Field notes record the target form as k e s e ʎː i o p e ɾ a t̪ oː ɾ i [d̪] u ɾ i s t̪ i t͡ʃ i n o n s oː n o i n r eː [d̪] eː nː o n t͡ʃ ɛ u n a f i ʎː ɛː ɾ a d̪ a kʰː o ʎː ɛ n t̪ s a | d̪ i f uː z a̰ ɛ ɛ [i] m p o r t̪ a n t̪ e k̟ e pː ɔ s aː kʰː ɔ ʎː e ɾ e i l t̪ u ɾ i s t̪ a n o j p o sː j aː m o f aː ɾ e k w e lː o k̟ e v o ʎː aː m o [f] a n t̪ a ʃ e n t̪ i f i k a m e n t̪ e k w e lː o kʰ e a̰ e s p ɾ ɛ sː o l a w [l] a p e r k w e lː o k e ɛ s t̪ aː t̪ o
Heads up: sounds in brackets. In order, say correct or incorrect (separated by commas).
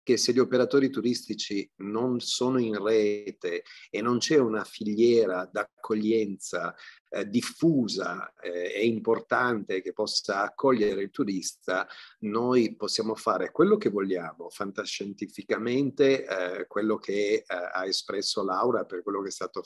incorrect, incorrect, correct, correct, incorrect